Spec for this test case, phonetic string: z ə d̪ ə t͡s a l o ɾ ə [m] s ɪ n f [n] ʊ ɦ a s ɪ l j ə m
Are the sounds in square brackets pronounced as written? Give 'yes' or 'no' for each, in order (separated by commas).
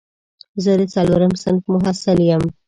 yes, no